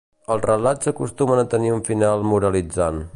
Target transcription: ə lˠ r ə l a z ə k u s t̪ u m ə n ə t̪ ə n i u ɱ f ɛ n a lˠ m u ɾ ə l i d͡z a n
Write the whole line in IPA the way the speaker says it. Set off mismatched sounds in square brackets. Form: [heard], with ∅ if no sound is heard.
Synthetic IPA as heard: ə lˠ r ə l a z ə k u s t̪ u m ə n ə t̪ ə n i u ɱ f [i] n a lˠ m u ɾ ə l i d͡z a n